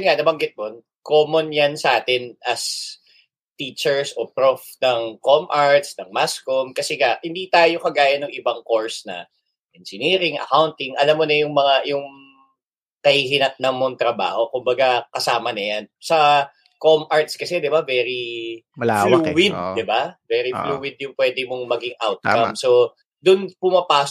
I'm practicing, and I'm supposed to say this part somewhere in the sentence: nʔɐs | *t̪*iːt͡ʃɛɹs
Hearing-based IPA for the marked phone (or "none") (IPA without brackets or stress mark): t̪